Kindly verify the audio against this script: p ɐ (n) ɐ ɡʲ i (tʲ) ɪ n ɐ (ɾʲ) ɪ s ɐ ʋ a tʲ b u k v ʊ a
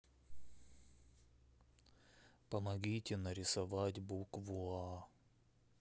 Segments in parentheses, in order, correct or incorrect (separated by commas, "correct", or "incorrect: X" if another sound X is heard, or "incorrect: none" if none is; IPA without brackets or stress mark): incorrect: m, correct, correct